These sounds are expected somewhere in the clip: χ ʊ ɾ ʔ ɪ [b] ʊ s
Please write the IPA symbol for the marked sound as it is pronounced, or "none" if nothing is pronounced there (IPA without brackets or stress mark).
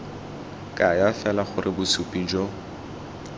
b